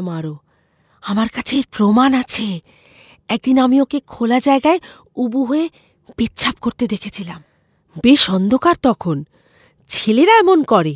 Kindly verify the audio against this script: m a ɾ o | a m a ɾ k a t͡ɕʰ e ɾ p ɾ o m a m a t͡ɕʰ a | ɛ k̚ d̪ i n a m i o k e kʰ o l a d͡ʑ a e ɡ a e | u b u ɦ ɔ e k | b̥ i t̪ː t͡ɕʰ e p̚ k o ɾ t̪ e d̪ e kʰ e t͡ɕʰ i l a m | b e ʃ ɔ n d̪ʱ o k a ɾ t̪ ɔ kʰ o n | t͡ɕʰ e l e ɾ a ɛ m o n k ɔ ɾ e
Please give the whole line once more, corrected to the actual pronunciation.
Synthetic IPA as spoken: m a ɾ o | a m a ɾ k a t͡ɕʰ e ɾ p ɾ o m a n a t͡ɕʰ e | ɛ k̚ d̪ i n a m i o k e kʰ o l a d͡ʑ a e ɡ a e | u b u ɦ o e | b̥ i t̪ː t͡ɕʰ a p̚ k o ɾ t̪ e d̪ e kʰ e t͡ɕʰ i l a m | b e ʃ ɔ n d̪ʱ o k a ɾ t̪ ɔ kʰ o n | t͡ɕʰ e l e ɾ a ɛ m o n k ɔ ɾ e